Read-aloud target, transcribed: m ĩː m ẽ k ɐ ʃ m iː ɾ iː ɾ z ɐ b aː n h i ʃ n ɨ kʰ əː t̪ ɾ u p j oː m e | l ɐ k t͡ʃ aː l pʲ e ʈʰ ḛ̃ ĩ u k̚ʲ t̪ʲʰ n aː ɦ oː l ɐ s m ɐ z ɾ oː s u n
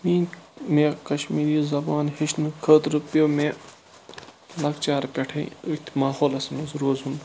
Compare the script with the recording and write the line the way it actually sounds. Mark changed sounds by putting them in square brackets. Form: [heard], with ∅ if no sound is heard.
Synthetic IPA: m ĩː m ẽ k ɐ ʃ m iː ɾ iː [∅] z ɐ b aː n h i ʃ n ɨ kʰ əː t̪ ɾ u p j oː m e | l ɐ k t͡ʃ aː [ɾ] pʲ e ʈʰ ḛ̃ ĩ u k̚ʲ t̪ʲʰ [m] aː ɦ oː l ɐ s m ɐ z ɾ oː [z] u n